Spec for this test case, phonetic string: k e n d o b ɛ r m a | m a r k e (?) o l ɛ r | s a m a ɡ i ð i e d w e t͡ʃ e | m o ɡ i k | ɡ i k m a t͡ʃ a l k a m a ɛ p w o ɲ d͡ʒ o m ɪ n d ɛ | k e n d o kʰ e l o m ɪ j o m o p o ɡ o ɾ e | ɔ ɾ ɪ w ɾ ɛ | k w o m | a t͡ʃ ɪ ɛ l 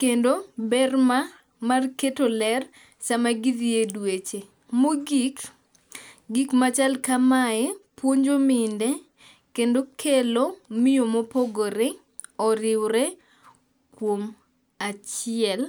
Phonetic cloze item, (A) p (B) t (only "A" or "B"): B